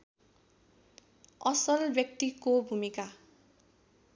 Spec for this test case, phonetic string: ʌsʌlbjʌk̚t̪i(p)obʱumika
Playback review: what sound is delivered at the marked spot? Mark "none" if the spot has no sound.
k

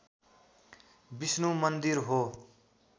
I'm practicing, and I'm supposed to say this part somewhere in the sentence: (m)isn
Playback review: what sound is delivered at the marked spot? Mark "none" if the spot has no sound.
b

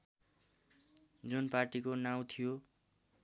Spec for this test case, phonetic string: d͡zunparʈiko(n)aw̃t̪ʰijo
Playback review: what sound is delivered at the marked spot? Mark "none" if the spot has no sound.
n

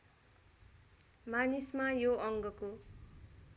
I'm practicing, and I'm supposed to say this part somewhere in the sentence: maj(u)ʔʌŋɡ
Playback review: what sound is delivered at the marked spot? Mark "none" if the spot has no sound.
o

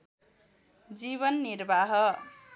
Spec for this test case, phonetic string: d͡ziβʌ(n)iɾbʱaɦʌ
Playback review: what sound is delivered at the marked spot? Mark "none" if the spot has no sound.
nː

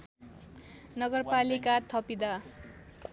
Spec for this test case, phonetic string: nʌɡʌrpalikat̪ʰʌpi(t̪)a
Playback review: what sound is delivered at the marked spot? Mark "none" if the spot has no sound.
d̪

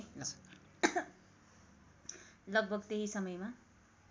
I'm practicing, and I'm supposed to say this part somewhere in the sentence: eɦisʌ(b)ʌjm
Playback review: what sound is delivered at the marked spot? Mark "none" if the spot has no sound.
m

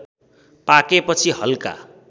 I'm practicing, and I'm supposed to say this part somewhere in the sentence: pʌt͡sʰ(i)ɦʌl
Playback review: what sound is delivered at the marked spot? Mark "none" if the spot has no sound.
i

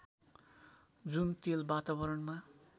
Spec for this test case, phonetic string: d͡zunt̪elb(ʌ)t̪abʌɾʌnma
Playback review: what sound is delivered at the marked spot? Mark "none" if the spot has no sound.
a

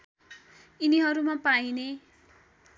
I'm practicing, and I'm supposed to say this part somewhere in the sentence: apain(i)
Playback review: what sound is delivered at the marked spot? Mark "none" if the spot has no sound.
e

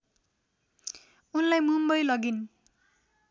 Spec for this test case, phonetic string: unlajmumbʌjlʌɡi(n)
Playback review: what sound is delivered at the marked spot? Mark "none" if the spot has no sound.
n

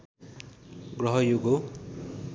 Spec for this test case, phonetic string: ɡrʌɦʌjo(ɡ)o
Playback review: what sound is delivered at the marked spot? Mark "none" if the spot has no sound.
ɡ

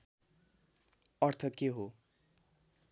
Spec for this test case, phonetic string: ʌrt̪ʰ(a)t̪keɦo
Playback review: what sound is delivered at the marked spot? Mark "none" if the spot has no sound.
ʌ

